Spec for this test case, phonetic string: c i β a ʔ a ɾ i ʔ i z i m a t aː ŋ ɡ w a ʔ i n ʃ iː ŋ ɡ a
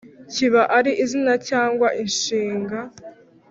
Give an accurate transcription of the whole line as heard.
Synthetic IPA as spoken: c i β a ʔ a ɾ i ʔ i z i n a c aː ŋ ɡ w a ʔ i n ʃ iː ŋ ɡ a